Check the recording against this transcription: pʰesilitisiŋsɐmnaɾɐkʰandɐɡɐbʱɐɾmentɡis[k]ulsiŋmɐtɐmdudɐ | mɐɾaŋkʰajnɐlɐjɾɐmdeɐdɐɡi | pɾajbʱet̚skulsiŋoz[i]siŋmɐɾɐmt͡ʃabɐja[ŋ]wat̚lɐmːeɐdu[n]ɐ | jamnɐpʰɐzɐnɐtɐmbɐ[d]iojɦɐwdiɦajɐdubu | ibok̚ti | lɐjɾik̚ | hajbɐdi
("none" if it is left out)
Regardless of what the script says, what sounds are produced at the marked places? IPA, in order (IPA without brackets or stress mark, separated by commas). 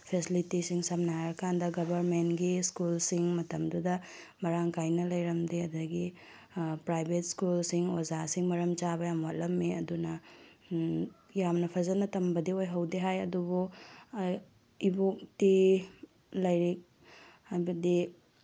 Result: k, a, m, n, d